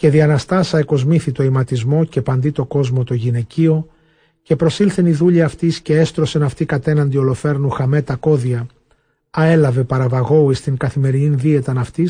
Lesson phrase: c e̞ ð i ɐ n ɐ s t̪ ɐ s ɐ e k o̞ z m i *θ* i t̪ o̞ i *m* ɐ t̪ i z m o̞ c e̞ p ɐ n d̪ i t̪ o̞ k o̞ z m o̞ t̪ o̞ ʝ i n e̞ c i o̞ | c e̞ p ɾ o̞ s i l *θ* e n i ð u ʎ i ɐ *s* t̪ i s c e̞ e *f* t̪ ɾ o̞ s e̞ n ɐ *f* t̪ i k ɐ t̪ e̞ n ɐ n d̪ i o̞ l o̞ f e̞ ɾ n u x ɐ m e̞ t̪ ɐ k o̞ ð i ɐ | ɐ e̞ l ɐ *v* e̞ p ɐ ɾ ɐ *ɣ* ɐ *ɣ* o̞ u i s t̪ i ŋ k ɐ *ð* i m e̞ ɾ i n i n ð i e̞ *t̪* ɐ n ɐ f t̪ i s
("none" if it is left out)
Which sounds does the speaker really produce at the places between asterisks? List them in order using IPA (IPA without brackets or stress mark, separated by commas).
θ, m, θ, f, s, f, v, v, ɣ, θ, t̪